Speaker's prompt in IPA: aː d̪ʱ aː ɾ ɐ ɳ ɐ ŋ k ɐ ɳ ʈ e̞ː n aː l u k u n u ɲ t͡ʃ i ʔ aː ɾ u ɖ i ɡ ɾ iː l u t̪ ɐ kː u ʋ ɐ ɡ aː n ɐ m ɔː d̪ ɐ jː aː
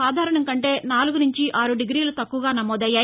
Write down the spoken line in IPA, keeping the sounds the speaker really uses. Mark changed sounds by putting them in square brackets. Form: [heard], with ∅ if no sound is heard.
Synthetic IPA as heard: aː d̪ʱ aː ɾ ɐ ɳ ɐ ŋ k ɐ ɳ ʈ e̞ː n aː l u [ɡ] u n u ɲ t͡ʃ i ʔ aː ɾ u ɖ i ɡ ɾ iː l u t̪ ɐ kː u ʋ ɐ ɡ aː n ɐ m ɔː d̪ ɐ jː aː